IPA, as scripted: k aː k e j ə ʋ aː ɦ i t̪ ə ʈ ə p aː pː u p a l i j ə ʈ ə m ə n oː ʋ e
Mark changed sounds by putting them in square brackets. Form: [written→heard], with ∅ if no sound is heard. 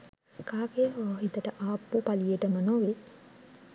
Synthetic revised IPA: k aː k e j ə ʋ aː ɦ i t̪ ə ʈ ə [p→ʔ] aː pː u p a l i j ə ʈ ə m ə n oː ʋ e